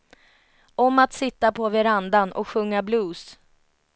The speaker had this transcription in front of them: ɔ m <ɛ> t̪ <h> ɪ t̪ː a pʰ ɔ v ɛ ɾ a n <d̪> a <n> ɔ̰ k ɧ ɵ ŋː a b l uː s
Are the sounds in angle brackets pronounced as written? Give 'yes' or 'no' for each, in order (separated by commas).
no, no, yes, yes